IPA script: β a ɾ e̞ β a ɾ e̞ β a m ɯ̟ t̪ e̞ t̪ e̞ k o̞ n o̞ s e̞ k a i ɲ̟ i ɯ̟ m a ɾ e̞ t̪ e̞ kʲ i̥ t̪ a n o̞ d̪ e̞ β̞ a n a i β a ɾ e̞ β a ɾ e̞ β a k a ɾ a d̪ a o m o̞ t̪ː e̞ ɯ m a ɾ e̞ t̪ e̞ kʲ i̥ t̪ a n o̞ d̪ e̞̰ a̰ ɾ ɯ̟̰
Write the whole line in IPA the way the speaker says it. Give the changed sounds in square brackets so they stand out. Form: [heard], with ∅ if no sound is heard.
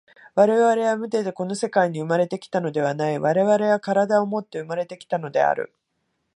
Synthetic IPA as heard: β a ɾ e̞ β a ɾ e̞ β a m ɯ̟ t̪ e̞ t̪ e̞ k o̞ n o̞ s e̞ k a i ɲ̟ i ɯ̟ m a ɾ e̞ t̪ e̞ kʲ i̥ t̪ a n o̞ d̪ e̞ β̞ a n a i β a ɾ e̞ β a ɾ e̞ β a k a ɾ a d̪ a o m o̞ t̪ː e̞ ɯ m a ɾ e̞ t̪ e̞ kʲ i̥ t̪ a n o̞ d̪ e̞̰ a̰ ɾ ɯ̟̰